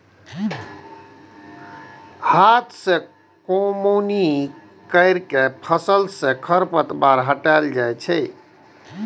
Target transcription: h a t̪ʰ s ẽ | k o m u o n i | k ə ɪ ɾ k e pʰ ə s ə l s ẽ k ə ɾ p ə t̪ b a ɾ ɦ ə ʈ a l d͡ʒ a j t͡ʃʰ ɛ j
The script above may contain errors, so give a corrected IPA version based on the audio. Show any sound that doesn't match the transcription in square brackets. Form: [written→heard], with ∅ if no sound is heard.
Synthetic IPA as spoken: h a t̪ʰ s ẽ | k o m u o n i | k ə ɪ ɾ k e pʰ ə s ə l s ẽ [k→kʰ] ə ɾ p ə t̪ b a ɾ ɦ ə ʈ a l d͡ʒ a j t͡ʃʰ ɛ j